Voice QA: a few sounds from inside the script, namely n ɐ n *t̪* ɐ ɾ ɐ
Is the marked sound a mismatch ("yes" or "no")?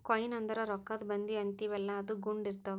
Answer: yes